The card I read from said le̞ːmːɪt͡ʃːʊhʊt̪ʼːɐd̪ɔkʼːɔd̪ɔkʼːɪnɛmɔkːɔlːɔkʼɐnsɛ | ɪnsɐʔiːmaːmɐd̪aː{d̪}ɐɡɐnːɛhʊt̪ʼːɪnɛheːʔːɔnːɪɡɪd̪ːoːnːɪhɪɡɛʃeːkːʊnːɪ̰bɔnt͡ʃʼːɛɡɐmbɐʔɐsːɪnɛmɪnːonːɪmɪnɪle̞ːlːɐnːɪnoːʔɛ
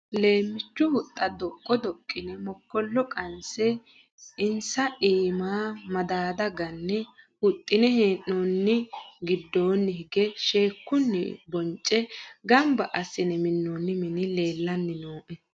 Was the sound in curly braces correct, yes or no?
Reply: yes